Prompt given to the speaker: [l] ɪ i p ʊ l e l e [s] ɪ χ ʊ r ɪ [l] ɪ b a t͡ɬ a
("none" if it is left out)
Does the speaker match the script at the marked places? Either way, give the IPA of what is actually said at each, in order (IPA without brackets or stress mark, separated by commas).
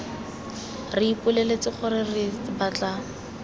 r, t͡s, r